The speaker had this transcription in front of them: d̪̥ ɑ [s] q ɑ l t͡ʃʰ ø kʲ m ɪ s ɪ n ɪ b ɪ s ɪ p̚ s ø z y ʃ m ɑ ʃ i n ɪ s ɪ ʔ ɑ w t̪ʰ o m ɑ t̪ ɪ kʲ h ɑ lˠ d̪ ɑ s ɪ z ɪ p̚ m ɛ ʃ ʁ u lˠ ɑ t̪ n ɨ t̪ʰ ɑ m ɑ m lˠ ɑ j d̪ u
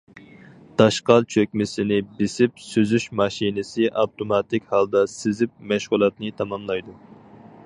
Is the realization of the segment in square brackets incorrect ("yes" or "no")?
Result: yes